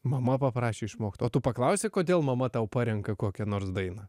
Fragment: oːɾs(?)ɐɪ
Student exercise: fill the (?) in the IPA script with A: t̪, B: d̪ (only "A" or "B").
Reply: B